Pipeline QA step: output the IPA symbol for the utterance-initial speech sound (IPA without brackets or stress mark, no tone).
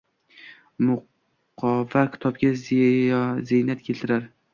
m